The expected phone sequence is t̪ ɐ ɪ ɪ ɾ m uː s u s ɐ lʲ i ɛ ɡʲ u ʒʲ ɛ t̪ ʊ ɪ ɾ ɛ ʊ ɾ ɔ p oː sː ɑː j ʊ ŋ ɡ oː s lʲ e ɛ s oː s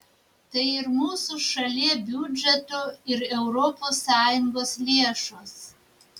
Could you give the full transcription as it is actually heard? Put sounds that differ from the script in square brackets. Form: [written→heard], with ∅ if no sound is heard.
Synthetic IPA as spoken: t̪ ɐ ɪ ɪ ɾ m uː s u [s→ʃ] ɐ lʲ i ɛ [ɡʲ→bʲ] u [ʒʲ→d͡ʒʲ] ɛ t̪ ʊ ɪ ɾ ɛ ʊ ɾ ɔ p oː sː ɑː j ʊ ŋ ɡ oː s lʲ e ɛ [s→ʃ] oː s

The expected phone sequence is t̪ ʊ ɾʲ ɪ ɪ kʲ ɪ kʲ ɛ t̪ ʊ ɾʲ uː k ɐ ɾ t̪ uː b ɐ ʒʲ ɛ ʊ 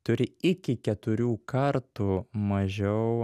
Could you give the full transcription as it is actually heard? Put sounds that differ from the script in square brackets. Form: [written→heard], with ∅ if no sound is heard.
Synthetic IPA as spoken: t̪ ʊ ɾʲ ɪ ɪ kʲ ɪ kʲ ɛ t̪ ʊ ɾʲ uː k ɐ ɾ t̪ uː [b→m] ɐ ʒʲ ɛ ʊ

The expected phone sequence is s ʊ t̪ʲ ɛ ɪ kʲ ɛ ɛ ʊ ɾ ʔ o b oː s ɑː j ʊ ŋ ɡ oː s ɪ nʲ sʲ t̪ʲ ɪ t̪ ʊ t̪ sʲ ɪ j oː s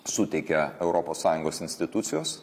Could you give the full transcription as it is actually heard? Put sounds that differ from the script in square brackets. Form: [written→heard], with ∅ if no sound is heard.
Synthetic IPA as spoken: s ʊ t̪ʲ ɛ ɪ kʲ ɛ ɛ ʊ ɾ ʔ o [b→p] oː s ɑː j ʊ ŋ ɡ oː s ɪ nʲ sʲ t̪ʲ ɪ t̪ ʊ t̪ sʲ ɪ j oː s

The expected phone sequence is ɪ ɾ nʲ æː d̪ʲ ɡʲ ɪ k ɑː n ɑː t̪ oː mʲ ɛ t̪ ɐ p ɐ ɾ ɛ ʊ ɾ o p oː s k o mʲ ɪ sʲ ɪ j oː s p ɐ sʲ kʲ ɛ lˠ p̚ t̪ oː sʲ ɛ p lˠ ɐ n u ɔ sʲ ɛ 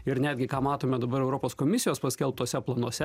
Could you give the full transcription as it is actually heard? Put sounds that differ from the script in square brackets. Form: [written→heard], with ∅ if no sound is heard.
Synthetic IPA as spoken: ɪ ɾ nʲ æː d̪ʲ ɡʲ ɪ k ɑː [n→m] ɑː t̪ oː mʲ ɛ [t̪→d̪] ɐ [p→b] ɐ ɾ ɛ ʊ ɾ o p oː s k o mʲ ɪ sʲ ɪ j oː s p ɐ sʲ kʲ ɛ lˠ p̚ t̪ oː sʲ ɛ p lˠ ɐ n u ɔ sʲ ɛ

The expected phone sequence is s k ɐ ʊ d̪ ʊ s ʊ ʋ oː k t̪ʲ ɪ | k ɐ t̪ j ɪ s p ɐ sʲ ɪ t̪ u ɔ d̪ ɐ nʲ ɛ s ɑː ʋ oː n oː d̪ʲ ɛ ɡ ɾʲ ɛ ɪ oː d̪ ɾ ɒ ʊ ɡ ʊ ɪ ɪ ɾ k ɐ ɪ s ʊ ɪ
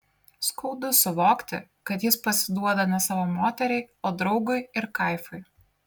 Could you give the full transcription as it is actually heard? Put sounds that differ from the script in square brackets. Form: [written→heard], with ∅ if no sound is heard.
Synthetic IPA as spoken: s k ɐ ʊ d̪ ʊ s ʊ ʋ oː k t̪ʲ ɪ | k ɐ t̪ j ɪ s p ɐ sʲ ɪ [t̪→d̪] u ɔ d̪ ɐ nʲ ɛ s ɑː ʋ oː [n→m] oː [d̪ʲ→t̪ʲ] ɛ [ɡ→∅] ɾʲ ɛ ɪ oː d̪ ɾ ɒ ʊ ɡ ʊ ɪ ɪ ɾ k ɐ ɪ [s→f] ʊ ɪ

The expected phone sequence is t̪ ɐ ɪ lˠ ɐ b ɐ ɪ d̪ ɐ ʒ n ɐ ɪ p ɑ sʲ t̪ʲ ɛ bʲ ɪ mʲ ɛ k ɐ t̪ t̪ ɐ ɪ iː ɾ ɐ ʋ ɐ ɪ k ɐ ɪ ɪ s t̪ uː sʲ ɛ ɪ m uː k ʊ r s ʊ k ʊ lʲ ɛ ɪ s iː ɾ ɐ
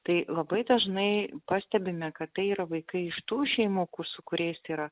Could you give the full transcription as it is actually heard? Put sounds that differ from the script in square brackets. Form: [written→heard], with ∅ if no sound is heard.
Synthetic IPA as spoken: t̪ ɐ ɪ lˠ ɐ b ɐ ɪ d̪ ɐ ʒ n ɐ ɪ p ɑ sʲ t̪ʲ ɛ bʲ ɪ mʲ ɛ k ɐ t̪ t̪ ɐ ɪ iː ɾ ɐ ʋ ɐ ɪ k ɐ ɪ ɪ [s→ʃ] t̪ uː [sʲ→ʃʲ] ɛ ɪ m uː k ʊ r s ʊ k ʊ [lʲ→ɾʲ] ɛ ɪ s iː ɾ ɐ

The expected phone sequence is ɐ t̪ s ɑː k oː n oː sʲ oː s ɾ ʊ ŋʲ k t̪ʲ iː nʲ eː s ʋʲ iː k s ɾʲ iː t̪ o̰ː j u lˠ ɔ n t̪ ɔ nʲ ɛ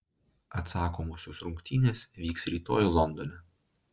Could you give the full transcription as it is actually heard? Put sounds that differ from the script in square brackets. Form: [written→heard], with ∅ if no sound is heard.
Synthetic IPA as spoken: ɐ t̪ s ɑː k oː [n→m] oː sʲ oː s ɾ ʊ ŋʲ k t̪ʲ iː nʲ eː s ʋʲ iː k s ɾʲ iː t̪ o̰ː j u lˠ ɔ n [t̪→d̪] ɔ nʲ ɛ

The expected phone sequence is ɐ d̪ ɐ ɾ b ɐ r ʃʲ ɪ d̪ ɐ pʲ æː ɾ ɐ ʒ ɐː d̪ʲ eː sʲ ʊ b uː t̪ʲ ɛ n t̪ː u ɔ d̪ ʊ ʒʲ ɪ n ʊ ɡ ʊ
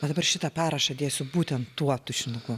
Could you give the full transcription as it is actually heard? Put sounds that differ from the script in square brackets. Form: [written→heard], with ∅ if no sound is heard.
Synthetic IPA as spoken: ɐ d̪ ɐ [ɾ→∅] b ɐ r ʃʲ ɪ [d̪→t̪] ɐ pʲ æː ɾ ɐ [ʒ→ʃ] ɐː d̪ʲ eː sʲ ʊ b uː t̪ʲ ɛ n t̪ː u ɔ [d̪→t̪] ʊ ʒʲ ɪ n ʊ ɡ ʊ

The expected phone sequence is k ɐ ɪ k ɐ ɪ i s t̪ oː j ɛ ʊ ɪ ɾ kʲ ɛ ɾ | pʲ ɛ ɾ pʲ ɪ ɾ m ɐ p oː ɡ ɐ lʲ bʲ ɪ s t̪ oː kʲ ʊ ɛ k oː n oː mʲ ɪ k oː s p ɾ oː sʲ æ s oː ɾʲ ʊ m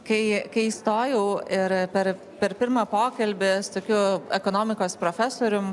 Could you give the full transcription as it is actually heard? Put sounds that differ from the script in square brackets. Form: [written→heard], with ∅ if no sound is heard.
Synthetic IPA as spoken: k ɐ ɪ k ɐ ɪ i s t̪ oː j ɛ ʊ ɪ ɾ [kʲ→pʲ] ɛ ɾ | pʲ ɛ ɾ pʲ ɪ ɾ m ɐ p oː [ɡ→k] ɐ lʲ bʲ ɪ s t̪ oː kʲ ʊ ɛ k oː n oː mʲ ɪ k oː s p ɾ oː [sʲ→fʲ] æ s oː ɾʲ ʊ m

